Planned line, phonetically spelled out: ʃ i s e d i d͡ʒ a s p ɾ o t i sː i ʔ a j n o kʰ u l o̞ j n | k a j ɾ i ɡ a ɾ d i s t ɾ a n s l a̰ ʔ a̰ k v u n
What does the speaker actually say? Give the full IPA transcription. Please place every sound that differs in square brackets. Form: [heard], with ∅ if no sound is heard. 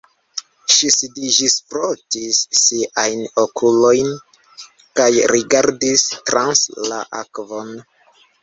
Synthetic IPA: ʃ i s [i] d i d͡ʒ [i] s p ɾ o t i sː i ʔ a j n o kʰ u l o̞ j n | k a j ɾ i ɡ a ɾ d i s t ɾ a n s l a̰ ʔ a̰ k v [o] n